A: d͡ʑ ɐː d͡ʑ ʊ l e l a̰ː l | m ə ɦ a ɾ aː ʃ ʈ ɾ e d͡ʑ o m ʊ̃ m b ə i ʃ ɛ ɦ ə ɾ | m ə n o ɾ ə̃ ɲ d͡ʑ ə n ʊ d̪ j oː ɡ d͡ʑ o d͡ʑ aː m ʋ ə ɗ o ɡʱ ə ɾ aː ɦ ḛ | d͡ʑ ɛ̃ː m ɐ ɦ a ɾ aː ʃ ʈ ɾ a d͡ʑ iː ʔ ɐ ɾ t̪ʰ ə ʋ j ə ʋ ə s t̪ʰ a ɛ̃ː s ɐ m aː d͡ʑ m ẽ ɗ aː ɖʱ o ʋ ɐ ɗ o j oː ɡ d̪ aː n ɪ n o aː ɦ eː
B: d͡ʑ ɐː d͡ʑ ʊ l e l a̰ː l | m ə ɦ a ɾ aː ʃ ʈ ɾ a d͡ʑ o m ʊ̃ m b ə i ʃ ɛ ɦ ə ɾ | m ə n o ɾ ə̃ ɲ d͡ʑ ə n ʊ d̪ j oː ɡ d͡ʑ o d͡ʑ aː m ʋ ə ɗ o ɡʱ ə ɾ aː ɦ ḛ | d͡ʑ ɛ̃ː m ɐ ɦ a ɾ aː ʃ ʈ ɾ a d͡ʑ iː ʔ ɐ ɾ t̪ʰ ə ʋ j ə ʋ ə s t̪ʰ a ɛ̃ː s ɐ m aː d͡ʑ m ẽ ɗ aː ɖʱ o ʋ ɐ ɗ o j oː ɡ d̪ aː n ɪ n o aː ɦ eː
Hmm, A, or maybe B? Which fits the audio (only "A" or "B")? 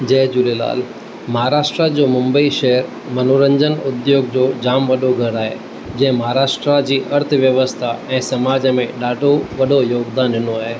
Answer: B